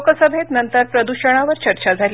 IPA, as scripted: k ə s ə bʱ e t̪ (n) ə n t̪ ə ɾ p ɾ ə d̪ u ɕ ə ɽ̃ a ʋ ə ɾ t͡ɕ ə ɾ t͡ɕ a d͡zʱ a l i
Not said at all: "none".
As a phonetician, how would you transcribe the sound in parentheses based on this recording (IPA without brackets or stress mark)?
n